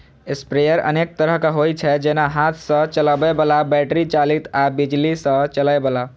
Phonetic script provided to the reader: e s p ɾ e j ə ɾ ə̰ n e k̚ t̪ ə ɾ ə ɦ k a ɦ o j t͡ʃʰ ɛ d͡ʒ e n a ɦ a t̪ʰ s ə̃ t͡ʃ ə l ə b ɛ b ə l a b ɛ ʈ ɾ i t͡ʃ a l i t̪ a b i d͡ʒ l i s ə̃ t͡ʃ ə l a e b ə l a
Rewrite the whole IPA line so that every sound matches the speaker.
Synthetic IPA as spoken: e s p ɾ e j ə ɾ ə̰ n e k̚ t̪ ə ɾ ə ɦ k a ɦ o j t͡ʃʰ ɛ d͡ʒ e n a ɦ a t̪ʰ s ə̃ t͡ʃ ə l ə b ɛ b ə l a b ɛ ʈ ɾ i t͡ʃ a l i t̪ a b i d͡ʒ l i s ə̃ t͡ʃ ə l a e b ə l a

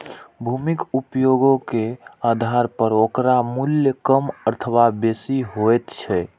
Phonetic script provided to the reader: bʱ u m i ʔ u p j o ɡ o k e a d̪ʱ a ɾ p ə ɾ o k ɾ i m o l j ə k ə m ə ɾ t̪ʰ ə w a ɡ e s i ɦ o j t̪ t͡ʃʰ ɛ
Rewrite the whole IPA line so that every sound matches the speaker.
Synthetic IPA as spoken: bʱ u m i k u p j o ɡ o k e a d̪ʱ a ɾ p ə ɾ o k ɾ a m u l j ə k ə m ə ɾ t̪ʰ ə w a b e s i ɦ o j t̪ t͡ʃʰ ɛ

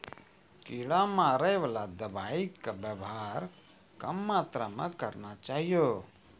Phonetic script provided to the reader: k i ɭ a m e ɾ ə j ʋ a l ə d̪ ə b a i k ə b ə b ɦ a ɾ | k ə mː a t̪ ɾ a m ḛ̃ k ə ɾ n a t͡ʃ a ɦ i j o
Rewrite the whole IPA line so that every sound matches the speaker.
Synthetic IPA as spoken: k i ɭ a m a ɾ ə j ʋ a l a d̪ ə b a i k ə b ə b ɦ a ɾ | k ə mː a t̪ ɾ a m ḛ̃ k ə ɾ n a t͡ʃ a ɦ i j o

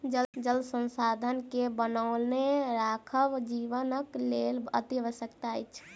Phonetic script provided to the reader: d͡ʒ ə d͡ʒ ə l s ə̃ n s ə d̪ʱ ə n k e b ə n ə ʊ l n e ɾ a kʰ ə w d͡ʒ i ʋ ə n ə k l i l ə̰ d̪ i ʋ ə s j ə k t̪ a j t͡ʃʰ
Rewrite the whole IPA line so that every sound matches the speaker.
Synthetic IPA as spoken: d͡ʒ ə d͡ʒ ə l s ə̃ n s a d̪ʱ ə n k e b ə n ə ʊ l n e ɾ a kʰ ə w d͡ʒ i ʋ ə n ə k l e l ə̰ t̪ i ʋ ə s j ə k t̪ a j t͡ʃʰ

